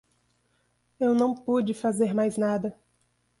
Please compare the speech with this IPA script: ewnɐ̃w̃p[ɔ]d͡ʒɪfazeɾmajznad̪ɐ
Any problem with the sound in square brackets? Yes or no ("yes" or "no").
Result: yes